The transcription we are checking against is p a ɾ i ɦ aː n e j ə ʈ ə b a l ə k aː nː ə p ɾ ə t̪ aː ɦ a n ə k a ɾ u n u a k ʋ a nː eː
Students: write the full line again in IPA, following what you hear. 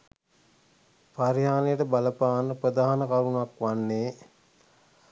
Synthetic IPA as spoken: p a ɾ i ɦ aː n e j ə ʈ ə b a l ə p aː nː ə p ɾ ə d̪ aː ɦ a n ə k a ɾ u n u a k ʋ a nː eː